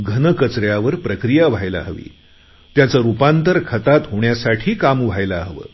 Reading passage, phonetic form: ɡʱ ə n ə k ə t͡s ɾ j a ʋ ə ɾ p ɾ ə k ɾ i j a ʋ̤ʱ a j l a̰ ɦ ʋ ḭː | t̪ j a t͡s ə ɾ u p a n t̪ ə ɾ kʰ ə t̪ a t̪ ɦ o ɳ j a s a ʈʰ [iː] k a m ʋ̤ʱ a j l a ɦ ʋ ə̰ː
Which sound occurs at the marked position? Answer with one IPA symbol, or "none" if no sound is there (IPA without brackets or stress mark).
iː